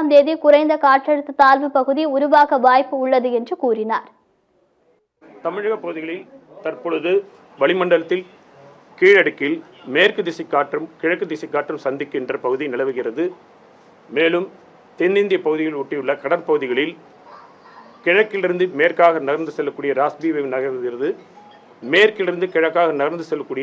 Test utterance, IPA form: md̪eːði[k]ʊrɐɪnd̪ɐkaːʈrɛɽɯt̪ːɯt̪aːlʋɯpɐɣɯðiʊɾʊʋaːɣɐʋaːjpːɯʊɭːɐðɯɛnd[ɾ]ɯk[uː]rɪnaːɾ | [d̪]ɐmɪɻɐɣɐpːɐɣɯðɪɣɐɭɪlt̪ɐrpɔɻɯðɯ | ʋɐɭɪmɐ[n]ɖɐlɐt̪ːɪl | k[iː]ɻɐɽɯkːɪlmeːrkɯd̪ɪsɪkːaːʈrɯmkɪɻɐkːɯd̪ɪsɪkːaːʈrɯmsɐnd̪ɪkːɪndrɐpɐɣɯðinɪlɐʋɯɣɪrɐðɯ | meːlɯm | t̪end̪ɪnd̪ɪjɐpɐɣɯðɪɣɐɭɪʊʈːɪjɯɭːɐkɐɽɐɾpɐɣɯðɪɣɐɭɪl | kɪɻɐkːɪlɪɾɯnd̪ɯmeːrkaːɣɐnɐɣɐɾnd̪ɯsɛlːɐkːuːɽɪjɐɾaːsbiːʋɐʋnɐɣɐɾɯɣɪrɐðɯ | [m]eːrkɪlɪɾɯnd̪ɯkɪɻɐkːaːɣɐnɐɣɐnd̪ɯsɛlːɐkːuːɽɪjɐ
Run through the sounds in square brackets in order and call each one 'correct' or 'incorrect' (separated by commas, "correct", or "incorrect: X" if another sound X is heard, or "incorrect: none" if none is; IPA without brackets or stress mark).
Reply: correct, incorrect: r, correct, incorrect: t̪, incorrect: ɳ, correct, correct